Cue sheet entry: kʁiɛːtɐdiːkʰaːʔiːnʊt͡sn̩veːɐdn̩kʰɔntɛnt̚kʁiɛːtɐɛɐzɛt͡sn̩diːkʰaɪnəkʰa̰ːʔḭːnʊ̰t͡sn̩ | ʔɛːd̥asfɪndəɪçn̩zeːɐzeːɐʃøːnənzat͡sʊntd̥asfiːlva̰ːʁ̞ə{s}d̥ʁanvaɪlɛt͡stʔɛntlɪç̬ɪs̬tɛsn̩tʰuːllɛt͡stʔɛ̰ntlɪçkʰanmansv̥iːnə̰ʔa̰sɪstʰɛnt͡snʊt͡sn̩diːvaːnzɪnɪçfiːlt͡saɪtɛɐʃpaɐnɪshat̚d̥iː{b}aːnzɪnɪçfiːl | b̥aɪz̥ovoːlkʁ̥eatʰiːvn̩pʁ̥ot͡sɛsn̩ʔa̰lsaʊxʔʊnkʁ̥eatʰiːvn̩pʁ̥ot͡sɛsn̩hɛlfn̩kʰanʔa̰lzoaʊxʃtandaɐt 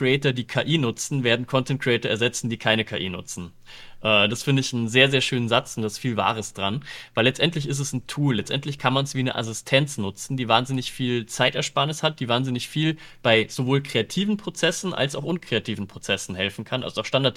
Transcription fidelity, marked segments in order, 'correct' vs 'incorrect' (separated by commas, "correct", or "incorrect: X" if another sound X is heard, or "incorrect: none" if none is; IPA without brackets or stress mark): correct, incorrect: v